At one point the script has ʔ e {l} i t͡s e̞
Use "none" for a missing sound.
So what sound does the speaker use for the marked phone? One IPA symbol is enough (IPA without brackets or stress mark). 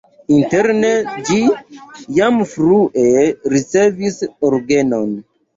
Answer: ɾ